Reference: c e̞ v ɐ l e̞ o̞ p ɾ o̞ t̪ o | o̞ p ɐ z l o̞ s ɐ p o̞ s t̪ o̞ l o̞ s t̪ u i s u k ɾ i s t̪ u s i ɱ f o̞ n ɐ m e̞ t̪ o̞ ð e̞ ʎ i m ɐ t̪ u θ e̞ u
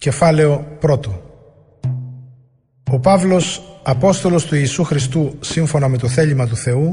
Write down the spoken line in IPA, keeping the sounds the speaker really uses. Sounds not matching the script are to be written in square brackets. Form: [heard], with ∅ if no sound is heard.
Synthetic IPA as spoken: c e̞ [f] ɐ l e̞ o̞ p ɾ o̞ t̪ o | o̞ p ɐ [v] l o̞ s ɐ p o̞ s t̪ o̞ l o̞ s t̪ u [iː] s u [x] ɾ i s t̪ u s i ɱ f o̞ n ɐ m e̞ t̪ o̞ [θ] e̞ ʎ i m ɐ t̪ u θ e̞ u